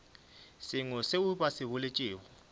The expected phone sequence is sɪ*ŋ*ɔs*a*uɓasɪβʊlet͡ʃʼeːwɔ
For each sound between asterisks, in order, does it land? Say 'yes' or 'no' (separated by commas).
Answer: yes, no